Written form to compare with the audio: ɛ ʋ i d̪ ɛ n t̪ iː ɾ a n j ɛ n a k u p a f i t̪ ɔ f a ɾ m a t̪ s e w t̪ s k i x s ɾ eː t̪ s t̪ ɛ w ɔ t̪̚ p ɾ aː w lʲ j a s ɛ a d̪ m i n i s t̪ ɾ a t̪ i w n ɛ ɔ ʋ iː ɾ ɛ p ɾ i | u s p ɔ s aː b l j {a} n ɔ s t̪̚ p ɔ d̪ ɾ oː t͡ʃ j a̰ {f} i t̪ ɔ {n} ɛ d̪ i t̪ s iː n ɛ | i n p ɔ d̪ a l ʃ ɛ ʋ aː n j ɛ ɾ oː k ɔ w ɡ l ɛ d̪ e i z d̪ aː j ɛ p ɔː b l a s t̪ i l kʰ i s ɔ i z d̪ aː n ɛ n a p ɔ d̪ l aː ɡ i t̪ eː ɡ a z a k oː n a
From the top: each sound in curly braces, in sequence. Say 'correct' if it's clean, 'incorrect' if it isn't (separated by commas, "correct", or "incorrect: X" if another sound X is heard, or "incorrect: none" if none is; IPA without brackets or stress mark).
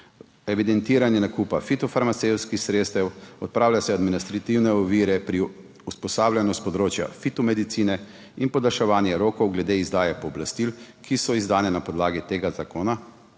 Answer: correct, correct, incorrect: m